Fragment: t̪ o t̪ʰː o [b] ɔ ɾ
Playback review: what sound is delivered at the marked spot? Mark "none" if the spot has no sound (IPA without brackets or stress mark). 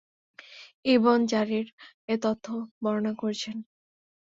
b